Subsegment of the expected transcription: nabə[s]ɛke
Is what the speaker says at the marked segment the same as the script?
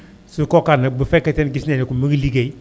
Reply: no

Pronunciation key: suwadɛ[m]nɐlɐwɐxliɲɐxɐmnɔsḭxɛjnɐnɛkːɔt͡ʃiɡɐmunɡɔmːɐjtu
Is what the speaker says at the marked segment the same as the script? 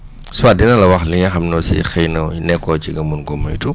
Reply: no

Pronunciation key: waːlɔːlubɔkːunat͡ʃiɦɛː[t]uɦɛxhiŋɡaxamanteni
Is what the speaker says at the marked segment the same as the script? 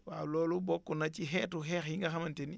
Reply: yes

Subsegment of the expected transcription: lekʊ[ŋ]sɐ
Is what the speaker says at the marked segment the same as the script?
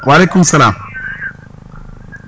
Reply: no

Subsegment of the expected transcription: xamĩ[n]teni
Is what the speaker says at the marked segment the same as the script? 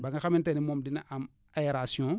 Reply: yes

